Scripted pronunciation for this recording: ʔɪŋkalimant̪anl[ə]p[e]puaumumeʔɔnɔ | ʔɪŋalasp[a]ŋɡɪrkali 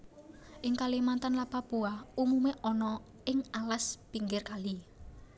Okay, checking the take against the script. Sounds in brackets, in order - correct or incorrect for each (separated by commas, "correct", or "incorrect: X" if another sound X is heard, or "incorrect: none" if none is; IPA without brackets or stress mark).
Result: incorrect: a, incorrect: a, incorrect: i